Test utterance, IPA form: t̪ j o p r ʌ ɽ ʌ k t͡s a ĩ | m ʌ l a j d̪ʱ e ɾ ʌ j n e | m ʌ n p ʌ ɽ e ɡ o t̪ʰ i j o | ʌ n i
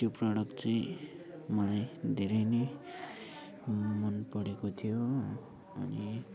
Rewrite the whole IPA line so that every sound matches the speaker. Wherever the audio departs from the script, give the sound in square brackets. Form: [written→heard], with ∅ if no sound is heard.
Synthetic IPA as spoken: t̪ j o p r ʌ ɽ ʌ k t͡s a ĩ | m ʌ l a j d̪ʱ e ɾ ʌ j n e | m ʌ n p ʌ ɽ e [ɡ→k] o t̪ʰ i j o | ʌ n i